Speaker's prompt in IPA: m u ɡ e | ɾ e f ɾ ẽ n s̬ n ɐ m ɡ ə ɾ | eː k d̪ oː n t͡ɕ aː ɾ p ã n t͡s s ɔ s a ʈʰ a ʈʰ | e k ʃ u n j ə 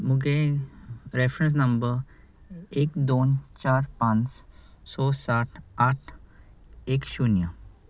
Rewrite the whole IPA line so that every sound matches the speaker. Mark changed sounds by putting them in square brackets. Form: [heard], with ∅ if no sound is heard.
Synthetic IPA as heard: m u ɡ e | ɾ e f ɾ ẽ n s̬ n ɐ m [b] ə ɾ | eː k d̪ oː n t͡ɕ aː ɾ p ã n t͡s s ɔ s a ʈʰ a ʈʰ | e k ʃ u n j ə